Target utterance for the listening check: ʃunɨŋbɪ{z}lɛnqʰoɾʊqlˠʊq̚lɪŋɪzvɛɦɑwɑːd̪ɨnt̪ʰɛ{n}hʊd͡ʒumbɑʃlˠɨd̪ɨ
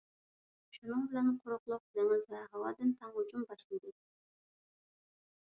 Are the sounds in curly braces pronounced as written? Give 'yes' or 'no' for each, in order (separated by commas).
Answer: no, no